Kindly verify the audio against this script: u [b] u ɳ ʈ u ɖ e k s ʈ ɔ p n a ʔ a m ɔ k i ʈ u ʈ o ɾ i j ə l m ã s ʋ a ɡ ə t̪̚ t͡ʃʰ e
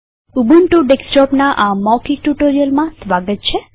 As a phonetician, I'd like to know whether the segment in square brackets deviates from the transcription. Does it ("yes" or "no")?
no